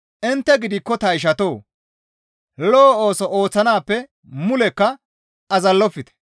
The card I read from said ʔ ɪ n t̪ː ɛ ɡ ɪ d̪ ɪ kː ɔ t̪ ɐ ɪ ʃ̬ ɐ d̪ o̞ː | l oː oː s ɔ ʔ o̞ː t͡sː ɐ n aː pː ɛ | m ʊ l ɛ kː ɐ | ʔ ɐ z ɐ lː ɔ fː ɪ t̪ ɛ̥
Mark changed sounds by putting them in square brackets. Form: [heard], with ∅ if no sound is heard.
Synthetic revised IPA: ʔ ɪ n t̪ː ɛ ɡ ɪ d̪ ɪ kː ɔ t̪ ɐ ɪ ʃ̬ ɐ [t̪] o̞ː | l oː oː s ɔ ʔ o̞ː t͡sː ɐ n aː pː ɛ | m ʊ l ɛ kː ɐ | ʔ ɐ z ɐ lː ɔ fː ɪ t̪ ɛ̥